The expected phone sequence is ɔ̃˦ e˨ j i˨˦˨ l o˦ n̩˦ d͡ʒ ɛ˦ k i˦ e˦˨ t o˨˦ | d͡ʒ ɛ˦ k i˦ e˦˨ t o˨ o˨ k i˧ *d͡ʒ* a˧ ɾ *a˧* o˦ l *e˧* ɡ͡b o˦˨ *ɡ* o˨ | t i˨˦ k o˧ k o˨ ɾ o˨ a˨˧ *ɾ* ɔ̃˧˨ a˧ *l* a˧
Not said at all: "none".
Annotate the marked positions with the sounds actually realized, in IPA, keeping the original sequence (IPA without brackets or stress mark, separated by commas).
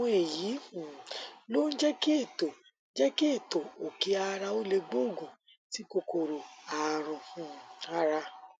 none, a˧, e˧, ɡ, ɾ, ɾ